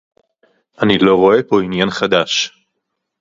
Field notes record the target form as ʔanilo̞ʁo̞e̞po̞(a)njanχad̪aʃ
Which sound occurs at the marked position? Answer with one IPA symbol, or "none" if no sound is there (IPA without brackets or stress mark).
i